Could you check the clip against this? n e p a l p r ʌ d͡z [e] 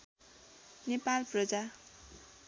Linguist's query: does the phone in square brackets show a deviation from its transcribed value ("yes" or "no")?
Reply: yes